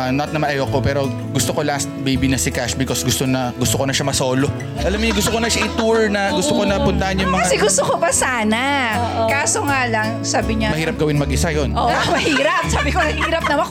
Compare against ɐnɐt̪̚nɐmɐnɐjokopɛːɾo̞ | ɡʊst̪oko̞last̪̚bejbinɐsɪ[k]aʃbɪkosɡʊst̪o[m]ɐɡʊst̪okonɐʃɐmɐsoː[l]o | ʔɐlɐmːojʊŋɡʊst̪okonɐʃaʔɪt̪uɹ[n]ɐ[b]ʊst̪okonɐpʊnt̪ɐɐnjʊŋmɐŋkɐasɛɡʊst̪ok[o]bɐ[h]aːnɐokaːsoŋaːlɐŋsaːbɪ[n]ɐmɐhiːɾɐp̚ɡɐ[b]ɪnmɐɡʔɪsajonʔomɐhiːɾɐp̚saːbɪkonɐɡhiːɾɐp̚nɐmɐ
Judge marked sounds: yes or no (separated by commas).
yes, no, yes, yes, no, yes, no, no, no